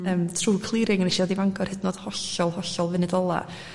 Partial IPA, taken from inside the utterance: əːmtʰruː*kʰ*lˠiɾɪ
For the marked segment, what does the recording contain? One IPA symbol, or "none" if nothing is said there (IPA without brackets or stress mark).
kʰ